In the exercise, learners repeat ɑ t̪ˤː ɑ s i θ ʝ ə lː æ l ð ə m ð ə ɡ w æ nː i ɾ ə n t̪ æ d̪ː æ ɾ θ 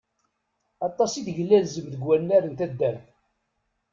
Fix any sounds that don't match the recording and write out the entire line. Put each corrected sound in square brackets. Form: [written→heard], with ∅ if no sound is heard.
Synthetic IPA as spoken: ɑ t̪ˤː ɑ s i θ ʝ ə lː æ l [ð→z] ə m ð ə ɡ w æ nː [i→æ] ɾ ə n t̪ æ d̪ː æ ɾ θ